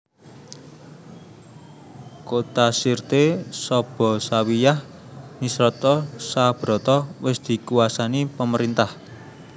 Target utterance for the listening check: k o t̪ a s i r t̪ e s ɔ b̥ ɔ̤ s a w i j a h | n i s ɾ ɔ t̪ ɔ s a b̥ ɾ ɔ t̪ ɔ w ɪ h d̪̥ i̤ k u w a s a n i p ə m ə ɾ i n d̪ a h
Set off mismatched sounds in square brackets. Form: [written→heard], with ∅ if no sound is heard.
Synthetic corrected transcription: k o t̪ a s i r t̪ e s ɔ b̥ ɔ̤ s a w i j a h | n i s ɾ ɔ t̪ ɔ s a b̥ ɾ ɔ t̪ ɔ w ɪ [h→s] d̪̥ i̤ k u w a s a n i p ə m ə ɾ i n [d̪→t̪] a h